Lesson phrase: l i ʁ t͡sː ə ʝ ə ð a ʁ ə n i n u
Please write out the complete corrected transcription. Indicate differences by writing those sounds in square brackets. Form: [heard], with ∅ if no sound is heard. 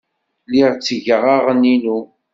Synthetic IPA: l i ʁ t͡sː ə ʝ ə [ʁ] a ʁ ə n i n u